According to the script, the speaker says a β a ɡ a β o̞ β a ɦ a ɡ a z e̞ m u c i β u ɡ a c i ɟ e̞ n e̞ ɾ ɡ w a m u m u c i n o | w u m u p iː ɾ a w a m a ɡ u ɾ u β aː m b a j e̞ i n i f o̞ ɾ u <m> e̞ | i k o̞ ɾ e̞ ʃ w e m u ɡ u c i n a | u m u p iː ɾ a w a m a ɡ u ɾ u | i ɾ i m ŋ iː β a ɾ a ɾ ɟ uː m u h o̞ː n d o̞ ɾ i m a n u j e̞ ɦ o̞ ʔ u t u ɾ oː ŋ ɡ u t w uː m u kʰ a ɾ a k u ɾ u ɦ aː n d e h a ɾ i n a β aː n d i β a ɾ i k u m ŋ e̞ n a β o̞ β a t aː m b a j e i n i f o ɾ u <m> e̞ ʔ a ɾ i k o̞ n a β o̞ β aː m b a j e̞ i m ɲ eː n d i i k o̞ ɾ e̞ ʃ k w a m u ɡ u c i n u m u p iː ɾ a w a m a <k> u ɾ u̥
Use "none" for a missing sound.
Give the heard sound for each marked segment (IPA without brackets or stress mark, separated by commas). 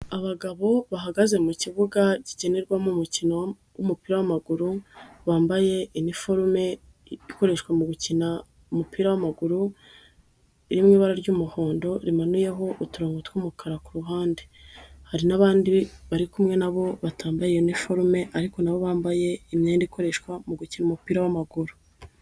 m, m, ɡ